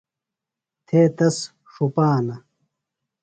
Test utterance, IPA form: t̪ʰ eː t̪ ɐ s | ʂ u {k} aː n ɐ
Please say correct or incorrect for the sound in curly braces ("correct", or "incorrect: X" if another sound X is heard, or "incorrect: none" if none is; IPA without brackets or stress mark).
incorrect: p